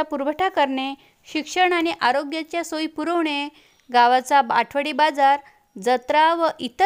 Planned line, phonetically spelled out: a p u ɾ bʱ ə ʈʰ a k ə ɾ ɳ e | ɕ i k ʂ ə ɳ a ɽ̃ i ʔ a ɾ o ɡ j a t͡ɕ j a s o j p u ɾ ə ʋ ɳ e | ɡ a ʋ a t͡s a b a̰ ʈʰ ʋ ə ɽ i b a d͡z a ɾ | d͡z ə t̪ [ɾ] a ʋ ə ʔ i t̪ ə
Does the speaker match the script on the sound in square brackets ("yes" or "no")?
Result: yes